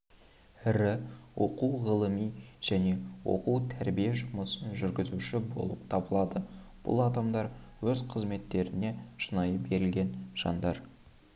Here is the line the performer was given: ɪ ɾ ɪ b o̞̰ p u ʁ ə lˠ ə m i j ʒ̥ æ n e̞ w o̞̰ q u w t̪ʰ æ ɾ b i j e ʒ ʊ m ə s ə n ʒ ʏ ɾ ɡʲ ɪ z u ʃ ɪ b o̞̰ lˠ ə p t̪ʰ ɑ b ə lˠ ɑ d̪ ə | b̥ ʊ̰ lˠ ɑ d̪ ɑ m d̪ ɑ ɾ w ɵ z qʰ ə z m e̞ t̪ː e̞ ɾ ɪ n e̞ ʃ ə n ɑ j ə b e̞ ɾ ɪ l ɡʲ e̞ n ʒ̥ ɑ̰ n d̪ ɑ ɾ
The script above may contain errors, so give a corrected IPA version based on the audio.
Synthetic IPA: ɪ ɾ ɪ w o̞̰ q u ʁ ə lˠ ə m i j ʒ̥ æ n e̞ w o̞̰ q u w t̪ʰ æ ɾ b i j e ʒ ʊ m ə s ə n ʒ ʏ ɾ ɡʲ ɪ z u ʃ ɪ b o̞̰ lˠ ə p t̪ʰ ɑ b ə lˠ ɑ d̪ ə | b̥ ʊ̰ lˠ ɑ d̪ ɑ m d̪ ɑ ɾ w ɵ z qʰ ə z m e̞ t̪ː e̞ ɾ ɪ n e̞ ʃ ə n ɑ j ə b e̞ ɾ ɪ l ɡʲ e̞ n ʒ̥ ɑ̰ n d̪ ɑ ɾ